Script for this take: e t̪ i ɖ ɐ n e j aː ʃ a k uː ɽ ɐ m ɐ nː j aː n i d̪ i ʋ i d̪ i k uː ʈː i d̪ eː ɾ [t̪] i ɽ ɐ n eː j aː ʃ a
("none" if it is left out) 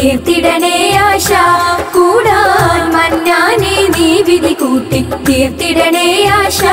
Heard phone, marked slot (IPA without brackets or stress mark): t̪